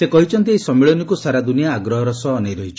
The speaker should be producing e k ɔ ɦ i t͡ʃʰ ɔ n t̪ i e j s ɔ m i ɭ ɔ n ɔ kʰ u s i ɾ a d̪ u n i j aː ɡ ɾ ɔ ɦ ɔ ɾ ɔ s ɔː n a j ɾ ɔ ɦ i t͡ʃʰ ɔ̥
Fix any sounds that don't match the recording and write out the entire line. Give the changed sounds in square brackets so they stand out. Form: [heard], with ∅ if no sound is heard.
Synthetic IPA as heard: e k ɔ ɦ i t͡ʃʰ ɔ n t̪ i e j s ɔ m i ɭ ɔ n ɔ [k] u s [a] ɾ a d̪ u n i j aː ɡ ɾ ɔ ɦ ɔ ɾ ɔ s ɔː n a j ɾ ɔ ɦ i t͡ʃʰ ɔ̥

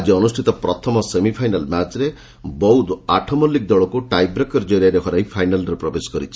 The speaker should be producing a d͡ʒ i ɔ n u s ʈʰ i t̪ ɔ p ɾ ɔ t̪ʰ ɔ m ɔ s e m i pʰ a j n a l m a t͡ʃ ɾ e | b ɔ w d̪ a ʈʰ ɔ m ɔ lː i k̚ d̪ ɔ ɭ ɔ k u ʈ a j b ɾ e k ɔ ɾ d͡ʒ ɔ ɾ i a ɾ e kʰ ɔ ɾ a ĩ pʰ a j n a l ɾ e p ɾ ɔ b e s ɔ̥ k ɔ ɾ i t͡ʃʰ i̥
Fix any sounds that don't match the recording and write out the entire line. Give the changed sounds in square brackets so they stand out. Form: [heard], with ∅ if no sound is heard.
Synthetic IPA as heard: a d͡ʒ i ɔ n u s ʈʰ i t̪ ɔ p ɾ ɔ t̪ʰ ɔ m ɔ s e m i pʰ a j n a l m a t͡ʃ ɾ e | b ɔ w d̪ a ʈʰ ɔ m ɔ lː i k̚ d̪ ɔ ɭ ɔ k u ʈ a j b ɾ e k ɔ ɾ d͡ʒ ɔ ɾ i a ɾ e kʰ ɔ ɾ a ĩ pʰ a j n a l ɾ e p ɾ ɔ b e s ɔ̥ k ɔ ɾ i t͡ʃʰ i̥

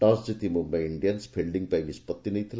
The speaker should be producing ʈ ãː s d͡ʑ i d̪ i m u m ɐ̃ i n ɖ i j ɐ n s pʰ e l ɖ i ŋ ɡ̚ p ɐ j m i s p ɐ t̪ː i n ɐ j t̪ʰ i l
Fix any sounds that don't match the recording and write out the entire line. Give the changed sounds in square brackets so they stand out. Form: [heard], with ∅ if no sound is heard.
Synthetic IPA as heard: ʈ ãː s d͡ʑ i [t̪] i m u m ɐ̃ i [ɳ] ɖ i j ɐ n s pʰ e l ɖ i ŋ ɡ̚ p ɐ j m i s p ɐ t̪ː i n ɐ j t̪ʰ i l

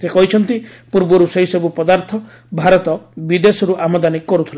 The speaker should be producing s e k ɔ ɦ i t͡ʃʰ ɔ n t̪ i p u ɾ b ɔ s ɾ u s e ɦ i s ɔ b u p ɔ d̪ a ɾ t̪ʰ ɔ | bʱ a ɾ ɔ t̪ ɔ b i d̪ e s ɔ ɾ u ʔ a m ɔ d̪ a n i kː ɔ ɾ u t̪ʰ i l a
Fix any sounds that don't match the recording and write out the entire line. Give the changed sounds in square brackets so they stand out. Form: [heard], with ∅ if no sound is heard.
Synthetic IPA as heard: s e k ɔ ɦ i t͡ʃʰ ɔ n t̪ i p u ɾ b ɔ [∅] ɾ u s e ɦ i s ɔ b u p ɔ d̪ a ɾ t̪ʰ ɔ | bʱ a ɾ ɔ t̪ ɔ b i d̪ e s ɔ ɾ u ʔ a m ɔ d̪ a n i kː ɔ ɾ u t̪ʰ i l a

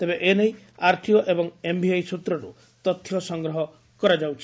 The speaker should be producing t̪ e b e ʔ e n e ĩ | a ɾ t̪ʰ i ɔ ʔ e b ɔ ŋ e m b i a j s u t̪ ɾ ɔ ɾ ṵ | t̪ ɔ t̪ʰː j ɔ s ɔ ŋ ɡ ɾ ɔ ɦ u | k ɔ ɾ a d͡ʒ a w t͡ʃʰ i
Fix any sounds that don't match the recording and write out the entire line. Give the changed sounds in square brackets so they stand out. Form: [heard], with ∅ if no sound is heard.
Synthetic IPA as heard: t̪ e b e ʔ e n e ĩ | a ɾ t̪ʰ i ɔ ʔ e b ɔ ŋ e m b i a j s u t̪ ɾ ɔ ɾ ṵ | t̪ ɔ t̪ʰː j ɔ s ɔ ŋ ɡ ɾ ɔ ɦ [ɔ] | k ɔ ɾ a d͡ʒ a w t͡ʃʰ i

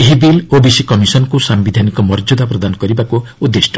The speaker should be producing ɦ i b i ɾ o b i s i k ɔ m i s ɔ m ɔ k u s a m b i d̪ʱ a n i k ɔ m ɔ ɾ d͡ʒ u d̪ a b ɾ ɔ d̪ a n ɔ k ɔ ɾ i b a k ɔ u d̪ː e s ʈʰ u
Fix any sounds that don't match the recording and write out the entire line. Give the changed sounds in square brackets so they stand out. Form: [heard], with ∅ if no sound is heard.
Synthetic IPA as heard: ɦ i b i [l] o b i s i k ɔ m i s ɔ [n] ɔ k u s a m b i d̪ʱ a n i k ɔ m ɔ ɾ d͡ʒ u d̪ a [p] ɾ ɔ d̪ a n ɔ k ɔ ɾ i b a k [u] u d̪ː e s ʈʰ [ɔ]

